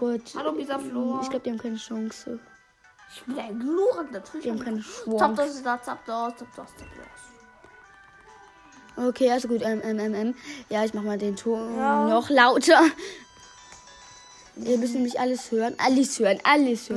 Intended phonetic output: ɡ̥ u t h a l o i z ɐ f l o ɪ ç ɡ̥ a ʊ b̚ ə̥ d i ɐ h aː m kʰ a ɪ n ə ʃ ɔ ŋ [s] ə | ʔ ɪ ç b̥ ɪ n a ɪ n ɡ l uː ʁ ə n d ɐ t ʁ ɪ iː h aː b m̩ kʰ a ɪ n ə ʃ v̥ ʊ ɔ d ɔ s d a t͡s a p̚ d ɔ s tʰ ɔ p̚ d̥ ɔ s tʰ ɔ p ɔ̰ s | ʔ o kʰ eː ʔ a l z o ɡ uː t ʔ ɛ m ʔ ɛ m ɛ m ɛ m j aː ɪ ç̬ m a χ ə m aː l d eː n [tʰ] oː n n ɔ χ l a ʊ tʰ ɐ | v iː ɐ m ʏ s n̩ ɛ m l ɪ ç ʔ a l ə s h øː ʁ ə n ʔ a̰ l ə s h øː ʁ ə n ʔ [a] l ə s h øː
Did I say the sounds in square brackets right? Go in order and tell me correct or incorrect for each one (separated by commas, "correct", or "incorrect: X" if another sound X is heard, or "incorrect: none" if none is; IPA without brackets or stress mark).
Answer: correct, correct, correct